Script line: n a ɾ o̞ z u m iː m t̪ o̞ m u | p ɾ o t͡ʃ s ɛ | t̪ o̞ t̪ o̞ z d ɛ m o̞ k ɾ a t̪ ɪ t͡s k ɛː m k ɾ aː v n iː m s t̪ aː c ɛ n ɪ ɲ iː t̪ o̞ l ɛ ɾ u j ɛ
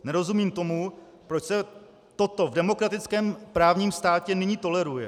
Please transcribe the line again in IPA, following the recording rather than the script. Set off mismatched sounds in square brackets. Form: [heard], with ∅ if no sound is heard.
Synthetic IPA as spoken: n [ɛ] ɾ o̞ z u m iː m t̪ o̞ m u | p ɾ o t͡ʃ s ɛ | t̪ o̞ t̪ o̞ [v] d ɛ m o̞ k ɾ a t̪ ɪ t͡s k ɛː m [p] ɾ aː v [ɲ] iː m s t̪ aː c ɛ n ɪ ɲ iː t̪ o̞ l ɛ ɾ u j ɛ

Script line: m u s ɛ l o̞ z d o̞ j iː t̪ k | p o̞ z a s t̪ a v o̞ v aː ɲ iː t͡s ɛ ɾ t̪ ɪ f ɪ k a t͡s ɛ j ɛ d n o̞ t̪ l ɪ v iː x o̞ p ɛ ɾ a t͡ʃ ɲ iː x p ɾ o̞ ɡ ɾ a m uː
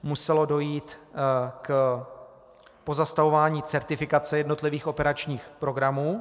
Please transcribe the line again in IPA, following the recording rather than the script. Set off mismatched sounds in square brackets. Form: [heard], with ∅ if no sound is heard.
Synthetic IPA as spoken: m u s ɛ l o̞ [∅] d o̞ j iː t̪ k | p o̞ z a s t̪ a v o̞ v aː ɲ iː t͡s ɛ ɾ t̪ ɪ f ɪ k a t͡s ɛ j ɛ d n o̞ t̪ l ɪ v iː x o̞ p ɛ ɾ a t͡ʃ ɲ iː x p ɾ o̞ ɡ ɾ a m uː

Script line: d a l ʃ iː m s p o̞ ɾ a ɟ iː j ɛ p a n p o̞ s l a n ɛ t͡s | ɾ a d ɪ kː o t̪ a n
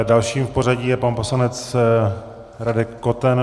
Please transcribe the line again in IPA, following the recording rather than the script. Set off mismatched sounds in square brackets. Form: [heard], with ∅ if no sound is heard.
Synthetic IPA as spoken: d a l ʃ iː m [f] p o̞ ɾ a ɟ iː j ɛ p a n p o̞ s l a n ɛ t͡s | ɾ a d ɪ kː o t̪ [ɛ] n

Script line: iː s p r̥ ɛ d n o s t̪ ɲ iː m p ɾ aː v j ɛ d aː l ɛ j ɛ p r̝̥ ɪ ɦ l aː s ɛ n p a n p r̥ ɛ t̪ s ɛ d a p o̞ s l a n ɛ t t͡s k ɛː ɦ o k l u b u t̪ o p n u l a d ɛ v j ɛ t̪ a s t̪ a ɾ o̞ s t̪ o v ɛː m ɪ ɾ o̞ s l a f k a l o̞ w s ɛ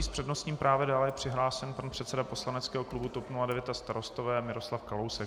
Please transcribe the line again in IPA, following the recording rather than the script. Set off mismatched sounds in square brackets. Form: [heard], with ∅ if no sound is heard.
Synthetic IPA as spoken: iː s p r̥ ɛ d n o s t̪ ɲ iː m p ɾ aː v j ɛ d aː l ɛ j ɛ p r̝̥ ɪ ɦ l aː s ɛ n p a n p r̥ ɛ t̪ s ɛ d a p o̞ s l a n ɛ t t͡s k ɛː ɦ o k l u b u t̪ o p n u l a d ɛ v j ɛ t̪ a s t̪ a ɾ o̞ s t̪ o v ɛː m ɪ ɾ o̞ s l a f k a l o̞ w s ɛ

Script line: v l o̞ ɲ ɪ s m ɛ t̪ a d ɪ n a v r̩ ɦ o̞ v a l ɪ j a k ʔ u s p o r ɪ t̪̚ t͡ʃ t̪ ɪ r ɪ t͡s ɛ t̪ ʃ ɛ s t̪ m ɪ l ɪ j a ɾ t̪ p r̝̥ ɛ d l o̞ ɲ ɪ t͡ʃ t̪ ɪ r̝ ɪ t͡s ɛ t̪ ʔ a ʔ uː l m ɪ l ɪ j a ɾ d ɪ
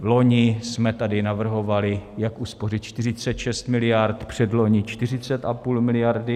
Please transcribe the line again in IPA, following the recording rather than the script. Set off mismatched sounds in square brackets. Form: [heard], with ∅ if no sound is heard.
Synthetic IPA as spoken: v l o̞ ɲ ɪ s m ɛ t̪ a d ɪ n a v r̩ ɦ o̞ v a l ɪ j a k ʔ u s p o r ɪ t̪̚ t͡ʃ t̪ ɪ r ɪ t͡s ɛ t̪ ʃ ɛ s t̪ m ɪ l ɪ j a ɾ t̪ p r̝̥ ɛ d l o̞ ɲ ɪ t͡ʃ t̪ ɪ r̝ ɪ t͡s ɛ t̪ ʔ a [p] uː l m ɪ l ɪ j a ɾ d ɪ

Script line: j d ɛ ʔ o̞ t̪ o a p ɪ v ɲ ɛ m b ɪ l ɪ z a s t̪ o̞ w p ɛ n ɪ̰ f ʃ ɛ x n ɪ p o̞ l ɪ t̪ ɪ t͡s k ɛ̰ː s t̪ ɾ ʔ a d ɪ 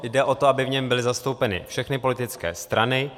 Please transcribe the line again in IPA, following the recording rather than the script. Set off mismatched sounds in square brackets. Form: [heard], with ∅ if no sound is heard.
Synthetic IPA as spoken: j d ɛ ʔ o̞ t̪ o a [b] ɪ v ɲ ɛ m b ɪ l ɪ z a s t̪ o̞ w p ɛ n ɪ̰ f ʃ ɛ x n ɪ p o̞ l ɪ t̪ ɪ t͡s k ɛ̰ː s t̪ ɾ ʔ a [n] ɪ

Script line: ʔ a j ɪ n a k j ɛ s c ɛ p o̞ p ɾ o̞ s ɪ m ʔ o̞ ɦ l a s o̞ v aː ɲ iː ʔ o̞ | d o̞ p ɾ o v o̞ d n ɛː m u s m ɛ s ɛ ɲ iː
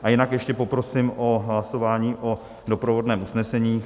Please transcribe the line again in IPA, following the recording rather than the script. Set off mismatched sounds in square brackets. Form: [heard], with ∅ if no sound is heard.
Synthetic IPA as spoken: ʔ a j ɪ n a k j ɛ [ʃ] c ɛ p o̞ p ɾ o̞ s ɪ m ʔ o̞ ɦ l a s o̞ v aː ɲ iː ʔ o̞ | d o̞ p ɾ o v o̞ d n ɛː m u s [n] ɛ s ɛ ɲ iː

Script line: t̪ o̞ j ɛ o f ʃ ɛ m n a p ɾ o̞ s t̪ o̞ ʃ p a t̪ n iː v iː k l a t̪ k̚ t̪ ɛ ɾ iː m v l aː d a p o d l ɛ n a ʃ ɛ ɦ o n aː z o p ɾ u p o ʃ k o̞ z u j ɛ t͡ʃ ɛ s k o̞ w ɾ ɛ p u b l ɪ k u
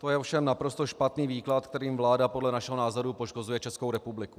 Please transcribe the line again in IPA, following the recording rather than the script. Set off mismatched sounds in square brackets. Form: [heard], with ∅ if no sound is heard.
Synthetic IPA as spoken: t̪ o̞ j ɛ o f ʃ ɛ m n a p ɾ o̞ s t̪ o̞ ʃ p a t̪ n iː v iː k l a t̪ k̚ t̪ ɛ ɾ iː m v l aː d a p o d l ɛ n a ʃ ɛ ɦ o n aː z o [∅] ɾ u p o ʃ k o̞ z u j ɛ t͡ʃ ɛ s k o̞ w ɾ ɛ p u b l ɪ k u

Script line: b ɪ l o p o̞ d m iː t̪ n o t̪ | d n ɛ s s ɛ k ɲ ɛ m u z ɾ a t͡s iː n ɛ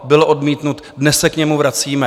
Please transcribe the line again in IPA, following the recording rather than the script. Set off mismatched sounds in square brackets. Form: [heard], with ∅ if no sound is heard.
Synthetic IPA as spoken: b ɪ l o [ʔ] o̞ d m iː t̪ n [u] t̪ | d n ɛ s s ɛ k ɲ ɛ m u [v] ɾ a t͡s iː [m] ɛ

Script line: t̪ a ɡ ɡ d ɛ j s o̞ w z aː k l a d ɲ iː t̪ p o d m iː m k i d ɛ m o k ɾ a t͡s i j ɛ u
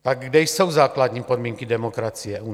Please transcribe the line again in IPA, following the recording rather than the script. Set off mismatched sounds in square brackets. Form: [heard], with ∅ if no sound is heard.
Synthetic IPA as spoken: t̪ a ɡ ɡ d ɛ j s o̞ w z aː k l a d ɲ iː [∅] p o d m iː [ŋ] k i d ɛ m o k ɾ a t͡s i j ɛ u

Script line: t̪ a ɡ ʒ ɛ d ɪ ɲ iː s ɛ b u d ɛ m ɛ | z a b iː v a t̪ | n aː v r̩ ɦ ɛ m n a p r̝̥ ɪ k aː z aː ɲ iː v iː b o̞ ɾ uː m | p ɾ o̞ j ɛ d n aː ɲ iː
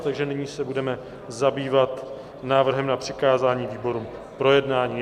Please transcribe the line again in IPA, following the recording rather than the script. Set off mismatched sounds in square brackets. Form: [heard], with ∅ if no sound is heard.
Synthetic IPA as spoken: t̪ a ɡ ʒ ɛ [n] ɪ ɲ iː s ɛ b u d ɛ m ɛ | z a b iː v a t̪ | n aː v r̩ ɦ ɛ m n a p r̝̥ ɪ k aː z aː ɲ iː v iː b o̞ ɾ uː m | p ɾ o̞ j ɛ d n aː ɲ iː

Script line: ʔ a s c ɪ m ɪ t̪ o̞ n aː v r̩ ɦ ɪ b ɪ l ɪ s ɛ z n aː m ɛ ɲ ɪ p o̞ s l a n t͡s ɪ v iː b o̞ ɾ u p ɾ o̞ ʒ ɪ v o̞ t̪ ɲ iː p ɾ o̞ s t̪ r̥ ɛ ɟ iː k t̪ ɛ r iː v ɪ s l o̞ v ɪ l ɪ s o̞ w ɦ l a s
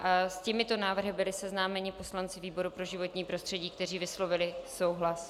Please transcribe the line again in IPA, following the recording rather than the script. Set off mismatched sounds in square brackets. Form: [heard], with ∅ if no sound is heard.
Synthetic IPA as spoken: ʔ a s c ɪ m ɪ t̪ o̞ n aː v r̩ ɦ ɪ b ɪ l ɪ s ɛ z n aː m ɛ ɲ ɪ p o̞ s l a n t͡s ɪ v iː b o̞ ɾ u p ɾ o̞ ʒ ɪ v o̞ t̪ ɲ iː p ɾ o̞ s t̪ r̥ ɛ ɟ iː k t̪ ɛ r iː v ɪ s l o̞ v ɪ l ɪ s o̞ w ɦ l a s

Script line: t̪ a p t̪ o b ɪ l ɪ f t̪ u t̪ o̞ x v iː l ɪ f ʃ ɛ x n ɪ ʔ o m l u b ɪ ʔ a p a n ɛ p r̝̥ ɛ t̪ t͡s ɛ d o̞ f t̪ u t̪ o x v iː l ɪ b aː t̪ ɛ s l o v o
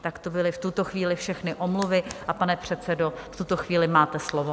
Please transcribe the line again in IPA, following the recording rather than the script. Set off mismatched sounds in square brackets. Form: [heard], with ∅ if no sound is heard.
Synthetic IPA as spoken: t̪ a [k] t̪ o b ɪ l ɪ f t̪ u t̪ o̞ x v iː l ɪ f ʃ ɛ x n ɪ ʔ o m l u [v] ɪ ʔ a p a n ɛ p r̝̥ ɛ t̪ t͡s ɛ d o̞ f t̪ u t̪ o x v iː l ɪ [m] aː t̪ ɛ s l o v o

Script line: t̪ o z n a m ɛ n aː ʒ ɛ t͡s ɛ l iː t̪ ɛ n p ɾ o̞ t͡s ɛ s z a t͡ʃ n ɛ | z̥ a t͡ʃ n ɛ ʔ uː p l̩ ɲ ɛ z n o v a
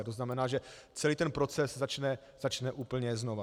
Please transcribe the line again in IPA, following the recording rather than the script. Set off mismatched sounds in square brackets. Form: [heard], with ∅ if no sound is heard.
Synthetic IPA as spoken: t̪ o z n a m ɛ n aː ʒ ɛ t͡s ɛ l iː t̪ ɛ n p ɾ o̞ t͡s ɛ s z a t͡ʃ n ɛ | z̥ a t͡ʃ n ɛ ʔ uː p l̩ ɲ ɛ z n o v a

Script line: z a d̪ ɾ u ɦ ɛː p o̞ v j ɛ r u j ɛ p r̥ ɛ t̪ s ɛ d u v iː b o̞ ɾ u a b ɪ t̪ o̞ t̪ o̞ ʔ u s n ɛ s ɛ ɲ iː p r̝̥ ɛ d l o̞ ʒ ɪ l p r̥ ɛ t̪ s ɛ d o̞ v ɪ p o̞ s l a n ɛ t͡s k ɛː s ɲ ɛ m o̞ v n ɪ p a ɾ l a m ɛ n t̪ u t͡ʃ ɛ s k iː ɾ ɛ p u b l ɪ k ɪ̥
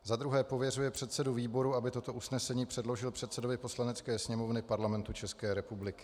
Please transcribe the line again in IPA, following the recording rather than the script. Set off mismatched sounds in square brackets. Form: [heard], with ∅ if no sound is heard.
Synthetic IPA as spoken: z a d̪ ɾ u ɦ ɛː p o̞ v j ɛ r u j ɛ p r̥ ɛ t̪ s ɛ d u v iː b o̞ ɾ u a b ɪ t̪ o̞ t̪ o̞ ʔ u s n ɛ s ɛ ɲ iː p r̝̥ ɛ d l o̞ ʒ ɪ l p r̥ ɛ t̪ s ɛ d o̞ v ɪ p o̞ s l a n ɛ t͡s k ɛː s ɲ ɛ m o̞ v n ɪ p a ɾ l a m ɛ n t̪ u t͡ʃ ɛ s k [ɛː] ɾ ɛ p u b l ɪ k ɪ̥

